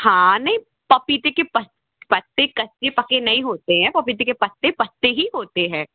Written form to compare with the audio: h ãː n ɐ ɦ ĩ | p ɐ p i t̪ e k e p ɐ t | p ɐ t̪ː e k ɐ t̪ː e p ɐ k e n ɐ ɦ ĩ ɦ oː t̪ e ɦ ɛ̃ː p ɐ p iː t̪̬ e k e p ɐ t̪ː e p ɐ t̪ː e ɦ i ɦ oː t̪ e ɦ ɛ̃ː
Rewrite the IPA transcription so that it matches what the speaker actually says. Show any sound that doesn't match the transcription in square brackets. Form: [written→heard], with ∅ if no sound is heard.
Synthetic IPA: h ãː n ɐ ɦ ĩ | p ɐ p i t̪ e k e p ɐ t | p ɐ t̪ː e k ɐ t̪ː e p ɐ k e n ɐ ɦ ĩ ɦ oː t̪ e ɦ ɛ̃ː p ɐ p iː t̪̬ e k e p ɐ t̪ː e p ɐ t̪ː e ɦ i ɦ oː t̪ e ɦ ɛ̃ː

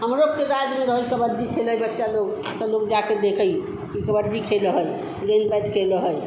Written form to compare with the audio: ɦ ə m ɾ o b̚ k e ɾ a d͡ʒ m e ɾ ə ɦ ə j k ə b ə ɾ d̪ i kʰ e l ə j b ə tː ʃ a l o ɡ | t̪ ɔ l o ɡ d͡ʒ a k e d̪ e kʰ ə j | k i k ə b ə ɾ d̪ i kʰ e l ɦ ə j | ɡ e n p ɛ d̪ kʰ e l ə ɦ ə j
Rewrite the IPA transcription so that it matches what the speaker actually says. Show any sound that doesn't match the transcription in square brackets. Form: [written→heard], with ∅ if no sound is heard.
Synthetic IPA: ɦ ə m ɾ o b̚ k e ɾ a d͡ʒ m e ɾ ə ɦ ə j k ə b ə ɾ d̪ i kʰ e l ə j b ə tː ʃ a l o ɡ | t̪ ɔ l o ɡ d͡ʒ a k e d̪ e kʰ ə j | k i k ə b ə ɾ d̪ i kʰ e l ɦ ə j | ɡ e n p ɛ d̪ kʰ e l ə ɦ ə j

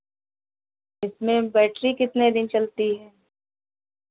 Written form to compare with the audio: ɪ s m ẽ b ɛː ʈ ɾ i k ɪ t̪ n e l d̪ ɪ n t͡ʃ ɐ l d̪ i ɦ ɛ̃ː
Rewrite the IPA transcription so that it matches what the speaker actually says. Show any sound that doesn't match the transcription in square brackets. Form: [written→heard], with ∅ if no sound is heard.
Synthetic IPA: ɪ s m ẽ b ɛː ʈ ɾ i k ɪ t̪ n e [l→∅] d̪ ɪ n t͡ʃ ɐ l [d̪→t̪] i ɦ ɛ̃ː

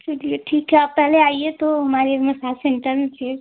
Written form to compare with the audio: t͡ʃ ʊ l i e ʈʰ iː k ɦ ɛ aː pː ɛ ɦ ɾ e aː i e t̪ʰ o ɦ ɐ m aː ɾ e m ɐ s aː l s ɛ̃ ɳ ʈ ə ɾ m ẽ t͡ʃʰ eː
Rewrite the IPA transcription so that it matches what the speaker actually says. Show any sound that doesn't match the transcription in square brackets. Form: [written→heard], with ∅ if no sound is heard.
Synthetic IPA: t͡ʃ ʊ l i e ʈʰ iː k ɦ ɛ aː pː ɛ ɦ [ɾ→l] e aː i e [t̪ʰ→t̪] o ɦ ɐ m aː ɾ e m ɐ s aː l s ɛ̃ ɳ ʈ ə ɾ m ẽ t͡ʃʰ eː

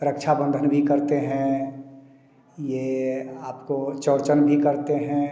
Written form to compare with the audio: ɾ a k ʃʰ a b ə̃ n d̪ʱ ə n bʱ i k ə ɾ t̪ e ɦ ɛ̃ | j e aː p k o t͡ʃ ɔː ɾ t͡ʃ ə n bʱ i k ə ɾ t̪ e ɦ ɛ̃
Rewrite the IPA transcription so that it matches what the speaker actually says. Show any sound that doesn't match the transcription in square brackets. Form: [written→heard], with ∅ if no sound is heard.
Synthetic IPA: ɾ [a→ə] k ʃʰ a b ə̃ n d̪ʱ ə n bʱ i k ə ɾ t̪ e ɦ ɛ̃ | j e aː p k o t͡ʃ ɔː ɾ t͡ʃ ə n bʱ i k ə ɾ t̪ e ɦ ɛ̃

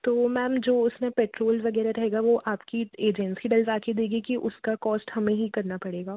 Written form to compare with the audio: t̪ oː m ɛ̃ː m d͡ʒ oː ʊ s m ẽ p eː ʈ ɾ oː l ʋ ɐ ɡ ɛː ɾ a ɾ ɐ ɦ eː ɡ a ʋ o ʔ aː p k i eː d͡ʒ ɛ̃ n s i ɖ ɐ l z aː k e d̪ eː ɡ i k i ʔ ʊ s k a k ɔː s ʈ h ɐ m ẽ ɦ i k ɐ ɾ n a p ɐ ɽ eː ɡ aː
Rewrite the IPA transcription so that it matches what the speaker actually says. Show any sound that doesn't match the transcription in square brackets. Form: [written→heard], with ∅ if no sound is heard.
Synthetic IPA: t̪ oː m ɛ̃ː m d͡ʒ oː ʊ s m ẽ p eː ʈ ɾ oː l ʋ ɐ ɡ ɛː ɾ a ɾ ɐ ɦ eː ɡ a ʋ o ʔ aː p k i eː d͡ʒ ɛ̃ n s i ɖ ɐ l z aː k e d̪ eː ɡ i k i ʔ ʊ s k a k ɔː s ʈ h ɐ m ẽ ɦ i k ɐ ɾ n a p ɐ ɽ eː ɡ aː

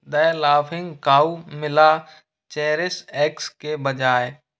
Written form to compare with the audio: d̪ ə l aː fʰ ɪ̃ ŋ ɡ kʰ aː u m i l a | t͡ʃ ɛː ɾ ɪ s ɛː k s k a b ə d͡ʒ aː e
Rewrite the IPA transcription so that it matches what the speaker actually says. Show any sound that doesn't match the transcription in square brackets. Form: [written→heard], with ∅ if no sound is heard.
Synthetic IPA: d̪ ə l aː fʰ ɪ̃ ŋ ɡ [kʰ→k] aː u m [i→ɪ] l a | t͡ʃ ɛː ɾ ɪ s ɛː k s k [a→e] b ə d͡ʒ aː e

